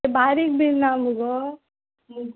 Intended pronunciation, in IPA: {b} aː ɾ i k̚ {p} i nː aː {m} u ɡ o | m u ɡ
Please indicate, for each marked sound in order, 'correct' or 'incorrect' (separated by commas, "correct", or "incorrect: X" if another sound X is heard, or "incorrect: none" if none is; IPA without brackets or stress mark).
correct, incorrect: b, correct